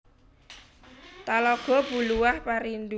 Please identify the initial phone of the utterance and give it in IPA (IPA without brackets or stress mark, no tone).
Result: t̪